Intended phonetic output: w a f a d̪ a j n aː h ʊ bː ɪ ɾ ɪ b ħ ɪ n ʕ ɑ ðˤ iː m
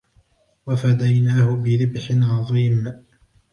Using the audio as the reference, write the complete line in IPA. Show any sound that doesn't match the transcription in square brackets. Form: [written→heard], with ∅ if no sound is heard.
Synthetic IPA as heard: w a f a d̪ a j n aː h ʊ [bː→b] ɪ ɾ ɪ b ħ ɪ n ʕ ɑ ðˤ iː m

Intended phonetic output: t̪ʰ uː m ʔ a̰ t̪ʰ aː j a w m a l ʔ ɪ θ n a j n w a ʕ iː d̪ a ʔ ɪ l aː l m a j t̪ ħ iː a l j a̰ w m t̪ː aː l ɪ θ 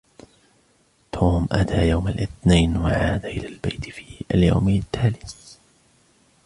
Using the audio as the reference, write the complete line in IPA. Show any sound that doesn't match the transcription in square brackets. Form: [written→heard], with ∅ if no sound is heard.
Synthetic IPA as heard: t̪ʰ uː m ʔ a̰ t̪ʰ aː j a w m a l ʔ ɪ θ n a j n w a ʕ [iː→aː] d̪ a ʔ ɪ l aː l [m→b] a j t̪ [ħ→f] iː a l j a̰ w m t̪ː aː l ɪ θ

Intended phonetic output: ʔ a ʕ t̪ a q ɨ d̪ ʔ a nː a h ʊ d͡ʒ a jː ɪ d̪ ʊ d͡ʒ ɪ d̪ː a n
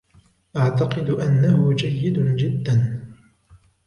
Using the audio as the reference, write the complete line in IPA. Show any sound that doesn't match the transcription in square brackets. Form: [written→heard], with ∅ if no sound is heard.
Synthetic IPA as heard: ʔ a ʕ t̪ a q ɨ d̪ ʔ a nː a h ʊ d͡ʒ a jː ɪ d̪ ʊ d͡ʒ ɪ d̪ː a n

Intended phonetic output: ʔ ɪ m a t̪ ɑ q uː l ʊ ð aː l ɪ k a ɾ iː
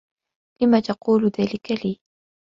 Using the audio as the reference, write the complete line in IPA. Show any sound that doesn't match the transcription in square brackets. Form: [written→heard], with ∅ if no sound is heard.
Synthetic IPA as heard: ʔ ɪ m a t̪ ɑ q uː l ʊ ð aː l ɪ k a [ɾ→l] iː

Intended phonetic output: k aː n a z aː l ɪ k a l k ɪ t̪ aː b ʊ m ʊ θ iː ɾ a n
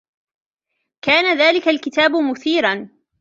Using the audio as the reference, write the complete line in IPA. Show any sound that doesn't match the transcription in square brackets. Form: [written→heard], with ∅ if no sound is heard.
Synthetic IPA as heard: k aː n a [z→ð] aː l ɪ k a l k ɪ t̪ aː b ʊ m ʊ θ iː ɾ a n

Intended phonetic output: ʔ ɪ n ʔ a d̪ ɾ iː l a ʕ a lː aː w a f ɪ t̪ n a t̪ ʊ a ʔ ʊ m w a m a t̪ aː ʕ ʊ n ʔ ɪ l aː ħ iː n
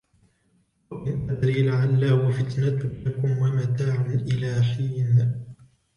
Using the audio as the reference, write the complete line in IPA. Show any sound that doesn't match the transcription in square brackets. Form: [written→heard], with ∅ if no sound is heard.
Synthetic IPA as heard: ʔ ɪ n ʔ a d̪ ɾ iː l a ʕ a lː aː w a f ɪ t̪ n a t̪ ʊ a [ʔ→k] ʊ m w a m a t̪ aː ʕ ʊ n ʔ ɪ l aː ħ iː n

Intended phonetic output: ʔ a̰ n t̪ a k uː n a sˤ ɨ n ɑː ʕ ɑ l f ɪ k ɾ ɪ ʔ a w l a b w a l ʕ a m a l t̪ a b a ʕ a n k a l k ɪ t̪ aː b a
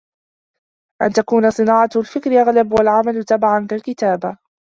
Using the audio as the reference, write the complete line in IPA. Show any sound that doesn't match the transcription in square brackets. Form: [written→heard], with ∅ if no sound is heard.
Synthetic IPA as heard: ʔ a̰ n t̪ a k uː n a sˤ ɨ n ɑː ʕ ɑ l f ɪ k ɾ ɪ ʔ a [w→ɣ] l a b w a l ʕ a m a l t̪ a b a ʕ a n k a l k ɪ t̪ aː b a

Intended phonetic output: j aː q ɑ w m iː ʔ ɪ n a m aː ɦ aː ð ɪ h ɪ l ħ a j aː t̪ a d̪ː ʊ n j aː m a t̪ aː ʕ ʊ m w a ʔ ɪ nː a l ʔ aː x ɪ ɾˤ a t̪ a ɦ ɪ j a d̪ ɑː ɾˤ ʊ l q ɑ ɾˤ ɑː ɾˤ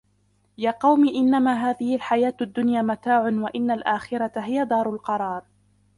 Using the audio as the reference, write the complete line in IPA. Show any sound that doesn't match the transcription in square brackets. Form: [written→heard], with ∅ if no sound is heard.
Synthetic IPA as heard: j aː q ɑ w m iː ʔ ɪ [n→nː] a m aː ɦ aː ð ɪ h ɪ l ħ a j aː t̪ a d̪ː ʊ n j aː m a t̪ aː ʕ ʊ [m→n] w a ʔ ɪ nː a l ʔ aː x ɪ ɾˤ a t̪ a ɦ ɪ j a d̪ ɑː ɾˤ ʊ l q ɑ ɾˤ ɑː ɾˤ

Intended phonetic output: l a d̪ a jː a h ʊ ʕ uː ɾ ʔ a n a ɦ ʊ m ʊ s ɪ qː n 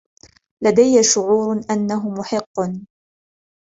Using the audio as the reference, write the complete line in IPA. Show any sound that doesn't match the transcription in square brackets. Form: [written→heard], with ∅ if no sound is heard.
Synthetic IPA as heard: l a d̪ a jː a [h→ʃ] ʊ ʕ uː ɾ ʔ a [n→nː] a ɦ ʊ m ʊ [s→ħ] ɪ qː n

